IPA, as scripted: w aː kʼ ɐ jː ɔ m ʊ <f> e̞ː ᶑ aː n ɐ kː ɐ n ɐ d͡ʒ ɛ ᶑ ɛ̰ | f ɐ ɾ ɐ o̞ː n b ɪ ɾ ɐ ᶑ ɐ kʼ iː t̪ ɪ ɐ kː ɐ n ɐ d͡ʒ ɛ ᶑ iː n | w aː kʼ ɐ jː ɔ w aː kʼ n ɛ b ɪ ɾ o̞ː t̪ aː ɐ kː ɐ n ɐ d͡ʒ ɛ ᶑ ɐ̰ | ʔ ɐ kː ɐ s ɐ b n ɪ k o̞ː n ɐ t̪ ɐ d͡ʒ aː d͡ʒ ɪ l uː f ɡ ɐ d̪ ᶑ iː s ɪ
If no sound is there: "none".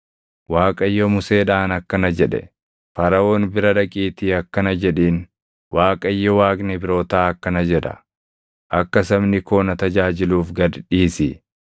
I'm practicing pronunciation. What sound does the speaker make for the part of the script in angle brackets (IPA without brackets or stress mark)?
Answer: s